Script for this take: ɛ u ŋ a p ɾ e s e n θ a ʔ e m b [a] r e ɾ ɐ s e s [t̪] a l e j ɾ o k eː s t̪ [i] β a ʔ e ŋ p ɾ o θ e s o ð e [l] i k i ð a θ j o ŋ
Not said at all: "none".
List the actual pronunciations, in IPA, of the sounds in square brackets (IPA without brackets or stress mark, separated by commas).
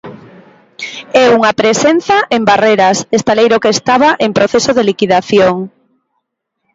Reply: a, t̪, a, l